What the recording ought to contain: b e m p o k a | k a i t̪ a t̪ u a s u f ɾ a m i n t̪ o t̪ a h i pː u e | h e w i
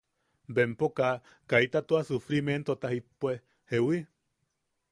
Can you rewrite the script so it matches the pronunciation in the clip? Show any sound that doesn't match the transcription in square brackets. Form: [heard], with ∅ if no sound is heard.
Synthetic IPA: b e m p o k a | k a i t̪ a t̪ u a s u f ɾ [i] m [e] n t̪ o t̪ a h i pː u e | h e w i